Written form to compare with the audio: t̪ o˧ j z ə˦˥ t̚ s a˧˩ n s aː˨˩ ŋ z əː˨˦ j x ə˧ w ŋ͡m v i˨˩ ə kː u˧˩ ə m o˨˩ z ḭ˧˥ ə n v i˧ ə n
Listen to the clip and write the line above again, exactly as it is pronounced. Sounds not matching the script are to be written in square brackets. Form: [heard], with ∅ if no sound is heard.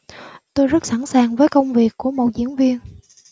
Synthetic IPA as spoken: t̪ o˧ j z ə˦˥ t̚ s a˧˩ n s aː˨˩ ŋ [v] əː˨˦ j [k] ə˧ w ŋ͡m v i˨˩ ə kː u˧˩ ə m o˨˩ z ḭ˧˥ ə n v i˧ ə n